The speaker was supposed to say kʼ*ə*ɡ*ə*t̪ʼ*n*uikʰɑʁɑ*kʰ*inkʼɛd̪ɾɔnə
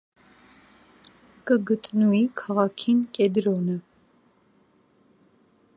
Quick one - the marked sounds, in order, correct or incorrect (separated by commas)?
correct, correct, correct, correct